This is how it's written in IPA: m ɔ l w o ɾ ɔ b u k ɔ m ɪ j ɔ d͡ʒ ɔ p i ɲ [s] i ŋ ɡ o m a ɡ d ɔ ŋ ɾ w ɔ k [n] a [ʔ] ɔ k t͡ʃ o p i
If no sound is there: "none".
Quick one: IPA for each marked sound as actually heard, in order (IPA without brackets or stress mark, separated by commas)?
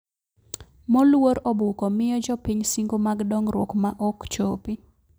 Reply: s, m, ʔ